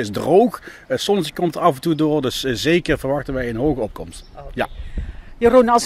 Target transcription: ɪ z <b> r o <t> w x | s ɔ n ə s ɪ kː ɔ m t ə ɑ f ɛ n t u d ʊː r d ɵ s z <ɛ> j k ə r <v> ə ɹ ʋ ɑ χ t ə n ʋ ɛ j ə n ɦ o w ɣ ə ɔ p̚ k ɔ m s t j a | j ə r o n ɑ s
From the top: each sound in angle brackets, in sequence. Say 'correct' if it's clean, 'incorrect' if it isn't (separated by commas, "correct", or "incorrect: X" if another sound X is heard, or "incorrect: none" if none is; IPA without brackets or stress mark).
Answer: incorrect: d, incorrect: none, incorrect: e, correct